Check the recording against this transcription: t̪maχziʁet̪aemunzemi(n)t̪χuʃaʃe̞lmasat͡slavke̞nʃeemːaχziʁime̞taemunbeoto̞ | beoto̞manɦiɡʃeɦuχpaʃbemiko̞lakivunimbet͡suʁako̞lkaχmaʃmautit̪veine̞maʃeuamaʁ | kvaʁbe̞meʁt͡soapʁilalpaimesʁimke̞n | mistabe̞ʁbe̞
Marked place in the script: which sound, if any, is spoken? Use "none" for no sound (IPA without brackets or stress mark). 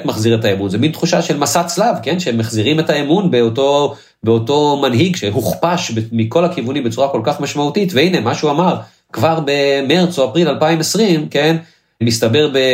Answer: n